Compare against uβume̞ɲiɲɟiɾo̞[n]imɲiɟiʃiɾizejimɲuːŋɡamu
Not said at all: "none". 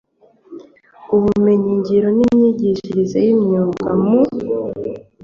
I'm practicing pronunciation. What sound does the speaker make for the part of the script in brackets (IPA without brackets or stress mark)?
n